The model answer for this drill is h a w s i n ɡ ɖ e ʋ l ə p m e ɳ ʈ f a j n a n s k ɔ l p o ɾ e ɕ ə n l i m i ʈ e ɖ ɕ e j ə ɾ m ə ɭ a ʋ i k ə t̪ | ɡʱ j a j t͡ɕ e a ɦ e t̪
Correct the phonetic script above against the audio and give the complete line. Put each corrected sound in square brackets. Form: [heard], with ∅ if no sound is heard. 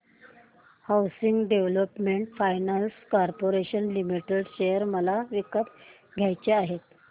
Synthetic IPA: h a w s i [ŋ] ɡ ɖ e ʋ l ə p m e ɳ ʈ f a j n a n s k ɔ [ɾ] p o ɾ e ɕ ə n l i m i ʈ e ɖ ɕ e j ə ɾ m ə [l] a ʋ i k ə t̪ | ɡʱ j a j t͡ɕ e a ɦ e t̪

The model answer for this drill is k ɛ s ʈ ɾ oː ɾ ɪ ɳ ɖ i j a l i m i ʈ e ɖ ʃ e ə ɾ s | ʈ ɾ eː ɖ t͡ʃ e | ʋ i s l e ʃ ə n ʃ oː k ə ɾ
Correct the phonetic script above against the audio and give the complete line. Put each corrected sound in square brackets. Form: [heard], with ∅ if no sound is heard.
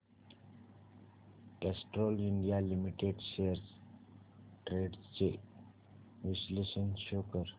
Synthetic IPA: k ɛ s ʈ ɾ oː [l] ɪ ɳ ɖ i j a l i m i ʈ e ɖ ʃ e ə ɾ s | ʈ ɾ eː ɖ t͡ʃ e | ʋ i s l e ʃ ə n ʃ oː k ə ɾ

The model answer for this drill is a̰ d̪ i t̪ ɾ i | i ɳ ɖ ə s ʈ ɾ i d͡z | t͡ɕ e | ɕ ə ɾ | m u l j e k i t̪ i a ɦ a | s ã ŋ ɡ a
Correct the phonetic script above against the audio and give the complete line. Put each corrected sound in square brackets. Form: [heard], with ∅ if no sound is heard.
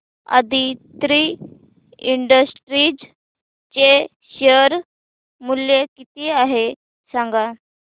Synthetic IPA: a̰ d̪ i t̪ ɾ i | i ɳ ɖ ə s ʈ ɾ i d͡z | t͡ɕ e | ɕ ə ɾ | m u l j e k i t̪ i a ɦ [e] | s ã ŋ ɡ a

